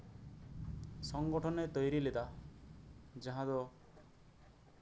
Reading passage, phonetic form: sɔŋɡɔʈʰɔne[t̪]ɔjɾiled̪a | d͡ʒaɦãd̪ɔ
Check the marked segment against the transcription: correct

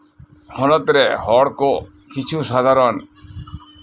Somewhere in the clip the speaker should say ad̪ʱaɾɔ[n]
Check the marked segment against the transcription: correct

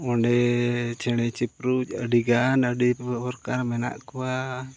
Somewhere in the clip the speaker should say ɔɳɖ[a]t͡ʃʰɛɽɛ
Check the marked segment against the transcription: incorrect: ɛ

